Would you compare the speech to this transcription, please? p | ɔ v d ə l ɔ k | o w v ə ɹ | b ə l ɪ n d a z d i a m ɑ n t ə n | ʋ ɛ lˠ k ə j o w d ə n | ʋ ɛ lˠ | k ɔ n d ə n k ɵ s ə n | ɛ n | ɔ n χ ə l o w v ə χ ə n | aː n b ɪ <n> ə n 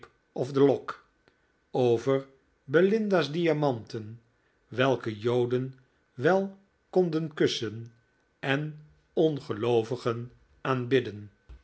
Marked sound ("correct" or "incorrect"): incorrect